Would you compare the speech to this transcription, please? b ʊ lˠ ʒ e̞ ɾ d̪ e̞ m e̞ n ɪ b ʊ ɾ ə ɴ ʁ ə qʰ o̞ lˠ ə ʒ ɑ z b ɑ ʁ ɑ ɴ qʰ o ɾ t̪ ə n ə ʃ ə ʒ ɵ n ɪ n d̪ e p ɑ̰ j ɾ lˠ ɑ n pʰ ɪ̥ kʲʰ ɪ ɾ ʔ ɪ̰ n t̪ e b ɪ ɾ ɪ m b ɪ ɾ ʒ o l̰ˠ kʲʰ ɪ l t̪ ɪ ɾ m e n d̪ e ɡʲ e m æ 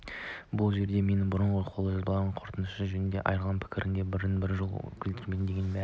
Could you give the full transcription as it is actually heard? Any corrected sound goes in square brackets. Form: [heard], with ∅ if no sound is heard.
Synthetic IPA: b ʊ lˠ ʒ e̞ ɾ d̪ e̞ m e̞ n ɪ b ʊ ɾ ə ɴ ʁ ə qʰ o̞ lˠ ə ʒ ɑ z b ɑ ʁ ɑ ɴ qʰ o ɾ t̪ ə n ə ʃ ə ʒ ɵ n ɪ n d̪ e [ʔ] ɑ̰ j ɾ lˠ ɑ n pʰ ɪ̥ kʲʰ ɪ ɾ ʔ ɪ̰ n [d̪] e b ɪ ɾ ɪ [n] b ɪ ɾ ʒ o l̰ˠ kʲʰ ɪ l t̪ ɪ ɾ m e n d̪ e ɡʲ e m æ